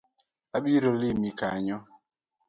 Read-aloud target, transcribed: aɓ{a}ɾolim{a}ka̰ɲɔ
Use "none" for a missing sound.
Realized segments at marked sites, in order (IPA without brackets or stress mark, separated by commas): i, i